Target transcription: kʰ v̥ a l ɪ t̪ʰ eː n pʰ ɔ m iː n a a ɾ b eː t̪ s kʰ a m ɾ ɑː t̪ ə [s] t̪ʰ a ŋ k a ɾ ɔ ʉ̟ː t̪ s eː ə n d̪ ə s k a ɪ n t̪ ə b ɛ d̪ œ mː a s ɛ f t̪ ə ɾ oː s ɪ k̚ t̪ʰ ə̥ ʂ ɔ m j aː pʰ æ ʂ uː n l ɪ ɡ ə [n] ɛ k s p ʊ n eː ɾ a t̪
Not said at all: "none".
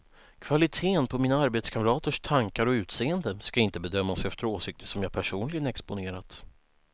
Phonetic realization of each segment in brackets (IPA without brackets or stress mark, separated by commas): ʂ, n